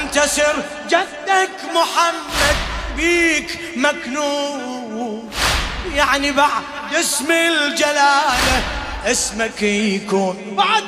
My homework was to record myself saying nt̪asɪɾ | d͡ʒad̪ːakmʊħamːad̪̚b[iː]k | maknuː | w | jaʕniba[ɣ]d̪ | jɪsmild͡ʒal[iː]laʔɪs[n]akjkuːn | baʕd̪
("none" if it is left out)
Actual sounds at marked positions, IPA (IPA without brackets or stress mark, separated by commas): iː, ʕ, aː, m